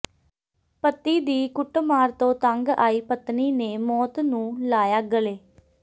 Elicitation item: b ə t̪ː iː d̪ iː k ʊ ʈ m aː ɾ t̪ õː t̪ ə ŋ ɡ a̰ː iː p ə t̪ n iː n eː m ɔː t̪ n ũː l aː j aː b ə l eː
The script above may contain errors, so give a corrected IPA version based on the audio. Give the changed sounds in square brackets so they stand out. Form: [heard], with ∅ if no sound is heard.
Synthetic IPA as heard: [p] ə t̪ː iː d̪ iː k ʊ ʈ m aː ɾ t̪ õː t̪ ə ŋ ɡ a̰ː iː p ə t̪ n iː n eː m ɔː t̪ n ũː l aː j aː [ɡ] ə l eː